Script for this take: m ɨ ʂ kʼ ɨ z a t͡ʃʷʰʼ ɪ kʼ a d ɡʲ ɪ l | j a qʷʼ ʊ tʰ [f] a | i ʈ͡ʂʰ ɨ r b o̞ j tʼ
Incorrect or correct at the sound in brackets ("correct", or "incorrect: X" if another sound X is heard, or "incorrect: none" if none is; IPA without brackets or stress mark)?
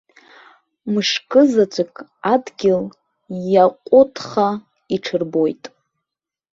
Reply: incorrect: χ